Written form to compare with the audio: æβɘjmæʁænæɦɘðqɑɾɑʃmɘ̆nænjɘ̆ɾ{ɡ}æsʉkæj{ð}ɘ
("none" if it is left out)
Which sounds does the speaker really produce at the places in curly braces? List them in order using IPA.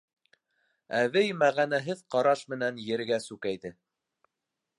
ɡ, ð

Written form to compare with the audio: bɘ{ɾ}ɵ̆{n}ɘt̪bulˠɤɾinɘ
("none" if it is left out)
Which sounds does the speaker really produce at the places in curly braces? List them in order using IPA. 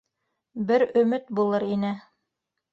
ɾ, m

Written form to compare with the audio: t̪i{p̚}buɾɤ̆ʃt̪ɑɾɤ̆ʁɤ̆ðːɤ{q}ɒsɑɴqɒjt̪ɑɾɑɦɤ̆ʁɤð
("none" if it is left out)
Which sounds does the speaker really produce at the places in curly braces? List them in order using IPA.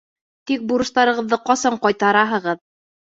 k̚, q

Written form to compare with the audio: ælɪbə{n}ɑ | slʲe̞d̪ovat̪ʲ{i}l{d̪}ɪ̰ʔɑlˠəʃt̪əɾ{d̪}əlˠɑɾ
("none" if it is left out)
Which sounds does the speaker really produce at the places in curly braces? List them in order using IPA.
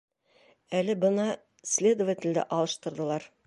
n, ɪ, d̪, d̪

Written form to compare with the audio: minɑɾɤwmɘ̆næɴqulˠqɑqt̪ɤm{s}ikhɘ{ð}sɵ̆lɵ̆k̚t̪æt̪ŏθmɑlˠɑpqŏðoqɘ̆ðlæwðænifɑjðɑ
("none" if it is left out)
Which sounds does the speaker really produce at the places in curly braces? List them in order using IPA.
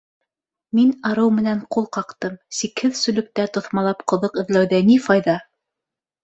s, ð

